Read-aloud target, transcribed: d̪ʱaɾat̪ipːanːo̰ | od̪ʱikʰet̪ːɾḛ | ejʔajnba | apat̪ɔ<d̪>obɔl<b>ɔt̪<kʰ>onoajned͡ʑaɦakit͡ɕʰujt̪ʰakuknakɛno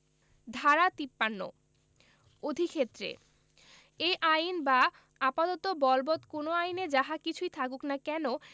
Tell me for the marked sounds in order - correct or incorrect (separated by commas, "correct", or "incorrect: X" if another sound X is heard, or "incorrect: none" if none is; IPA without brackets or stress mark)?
incorrect: t̪, correct, incorrect: k